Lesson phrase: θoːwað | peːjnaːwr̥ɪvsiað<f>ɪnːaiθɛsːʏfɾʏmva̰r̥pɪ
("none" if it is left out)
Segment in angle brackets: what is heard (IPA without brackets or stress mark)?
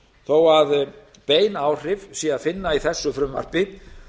f